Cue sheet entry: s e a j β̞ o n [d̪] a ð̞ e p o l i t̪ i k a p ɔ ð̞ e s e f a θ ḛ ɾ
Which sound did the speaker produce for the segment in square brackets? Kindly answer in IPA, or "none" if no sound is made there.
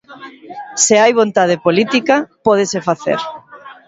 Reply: t̪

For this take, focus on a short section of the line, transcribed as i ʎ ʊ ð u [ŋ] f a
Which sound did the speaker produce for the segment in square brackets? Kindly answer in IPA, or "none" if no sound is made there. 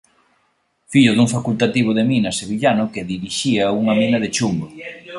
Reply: ŋ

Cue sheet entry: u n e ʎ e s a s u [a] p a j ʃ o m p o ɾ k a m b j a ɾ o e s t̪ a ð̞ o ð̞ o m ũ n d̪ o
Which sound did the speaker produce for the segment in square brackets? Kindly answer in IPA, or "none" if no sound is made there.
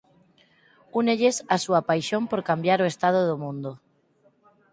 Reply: a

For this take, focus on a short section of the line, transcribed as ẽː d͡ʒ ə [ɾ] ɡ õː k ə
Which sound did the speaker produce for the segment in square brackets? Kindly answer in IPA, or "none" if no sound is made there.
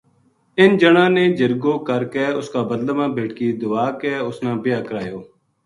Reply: ɾ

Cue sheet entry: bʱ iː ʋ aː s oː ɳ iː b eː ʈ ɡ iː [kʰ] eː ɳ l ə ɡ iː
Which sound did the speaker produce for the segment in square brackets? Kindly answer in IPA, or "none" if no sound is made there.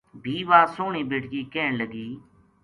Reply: k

